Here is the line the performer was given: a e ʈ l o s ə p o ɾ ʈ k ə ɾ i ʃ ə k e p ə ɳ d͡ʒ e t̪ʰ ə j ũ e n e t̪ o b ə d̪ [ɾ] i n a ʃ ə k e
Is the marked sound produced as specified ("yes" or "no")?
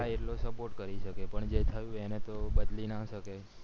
no